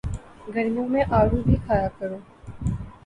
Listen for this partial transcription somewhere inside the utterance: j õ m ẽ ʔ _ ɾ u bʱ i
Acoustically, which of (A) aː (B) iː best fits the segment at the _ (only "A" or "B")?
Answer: A